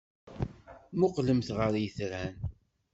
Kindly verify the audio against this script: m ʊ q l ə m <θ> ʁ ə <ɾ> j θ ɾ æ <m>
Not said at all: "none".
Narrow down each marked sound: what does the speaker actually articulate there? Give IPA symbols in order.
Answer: θ, ɾ, n

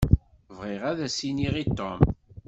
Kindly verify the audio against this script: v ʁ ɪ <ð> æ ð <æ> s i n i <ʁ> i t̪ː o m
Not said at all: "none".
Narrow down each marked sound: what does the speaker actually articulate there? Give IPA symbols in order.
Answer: ʁ, æ, ʁ

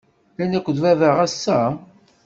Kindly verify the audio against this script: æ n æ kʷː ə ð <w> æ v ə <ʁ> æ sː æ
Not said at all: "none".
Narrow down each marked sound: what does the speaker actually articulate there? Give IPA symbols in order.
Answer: v, ʁ

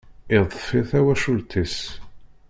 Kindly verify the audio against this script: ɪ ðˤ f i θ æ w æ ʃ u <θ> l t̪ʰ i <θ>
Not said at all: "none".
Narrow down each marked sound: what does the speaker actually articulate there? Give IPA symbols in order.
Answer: none, s

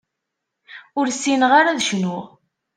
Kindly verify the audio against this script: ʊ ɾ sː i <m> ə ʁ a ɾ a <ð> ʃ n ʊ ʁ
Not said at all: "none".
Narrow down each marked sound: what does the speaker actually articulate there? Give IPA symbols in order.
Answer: n, ð

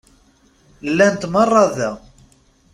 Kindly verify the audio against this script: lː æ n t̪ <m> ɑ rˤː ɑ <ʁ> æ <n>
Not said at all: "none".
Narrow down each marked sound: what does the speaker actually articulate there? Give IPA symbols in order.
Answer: m, ð, none

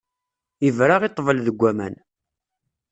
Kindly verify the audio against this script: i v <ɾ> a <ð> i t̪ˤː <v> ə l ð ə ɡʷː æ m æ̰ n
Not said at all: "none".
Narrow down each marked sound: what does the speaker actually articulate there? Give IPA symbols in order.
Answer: ɾ, ʁ, v

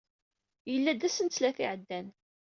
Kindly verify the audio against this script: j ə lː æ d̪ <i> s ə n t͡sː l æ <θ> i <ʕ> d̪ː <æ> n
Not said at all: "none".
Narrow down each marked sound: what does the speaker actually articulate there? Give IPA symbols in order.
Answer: æ, θ, ʕ, æ

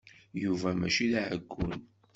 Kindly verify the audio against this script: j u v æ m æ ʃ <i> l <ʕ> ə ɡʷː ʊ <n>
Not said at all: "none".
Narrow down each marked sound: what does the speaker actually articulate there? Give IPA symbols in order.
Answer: i, ʕ, n

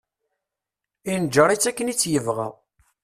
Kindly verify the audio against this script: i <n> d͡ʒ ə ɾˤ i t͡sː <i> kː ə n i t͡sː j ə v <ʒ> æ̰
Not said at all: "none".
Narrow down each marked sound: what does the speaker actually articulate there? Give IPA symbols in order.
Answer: n, æ, ʁ

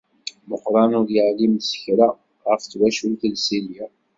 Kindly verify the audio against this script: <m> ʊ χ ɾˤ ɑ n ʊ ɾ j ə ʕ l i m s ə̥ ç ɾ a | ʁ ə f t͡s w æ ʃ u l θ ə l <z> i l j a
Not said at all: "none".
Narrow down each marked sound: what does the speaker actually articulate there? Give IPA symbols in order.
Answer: m, s

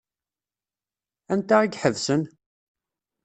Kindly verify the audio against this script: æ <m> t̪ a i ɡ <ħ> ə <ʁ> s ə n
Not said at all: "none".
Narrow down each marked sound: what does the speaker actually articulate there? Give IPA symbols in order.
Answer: n, ħ, ð

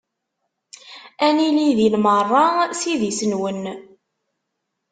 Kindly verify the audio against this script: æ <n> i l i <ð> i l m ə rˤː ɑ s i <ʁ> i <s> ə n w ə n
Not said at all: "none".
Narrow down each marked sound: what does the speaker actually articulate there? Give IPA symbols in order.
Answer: n, ð, ð, s

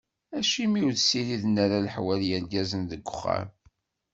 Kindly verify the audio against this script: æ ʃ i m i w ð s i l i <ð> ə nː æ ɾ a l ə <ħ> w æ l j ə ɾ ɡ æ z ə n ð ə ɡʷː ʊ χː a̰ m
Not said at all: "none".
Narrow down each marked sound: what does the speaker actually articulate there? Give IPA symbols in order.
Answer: ð, ħ

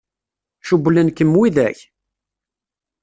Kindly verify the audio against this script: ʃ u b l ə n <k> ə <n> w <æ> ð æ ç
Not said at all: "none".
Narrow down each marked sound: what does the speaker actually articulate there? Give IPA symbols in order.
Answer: k, m, i

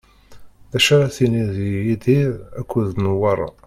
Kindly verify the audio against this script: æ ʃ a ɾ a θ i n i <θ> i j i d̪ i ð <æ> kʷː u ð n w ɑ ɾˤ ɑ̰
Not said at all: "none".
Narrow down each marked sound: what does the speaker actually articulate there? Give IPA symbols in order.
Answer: ð, æ

